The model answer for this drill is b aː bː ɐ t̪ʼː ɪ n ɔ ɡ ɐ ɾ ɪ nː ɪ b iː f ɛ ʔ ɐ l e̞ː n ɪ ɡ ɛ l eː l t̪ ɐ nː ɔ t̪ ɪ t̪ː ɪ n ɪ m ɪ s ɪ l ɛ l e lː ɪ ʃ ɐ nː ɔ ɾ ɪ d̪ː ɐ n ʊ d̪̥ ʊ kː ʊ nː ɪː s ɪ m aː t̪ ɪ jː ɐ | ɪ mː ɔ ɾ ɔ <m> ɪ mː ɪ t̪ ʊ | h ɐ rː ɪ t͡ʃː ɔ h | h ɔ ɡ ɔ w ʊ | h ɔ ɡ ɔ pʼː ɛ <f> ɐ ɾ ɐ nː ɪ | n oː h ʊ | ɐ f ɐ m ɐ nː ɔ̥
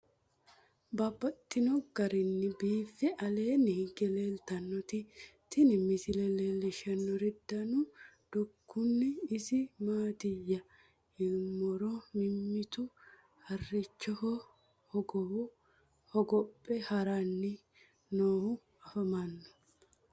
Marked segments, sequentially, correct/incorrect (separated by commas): correct, incorrect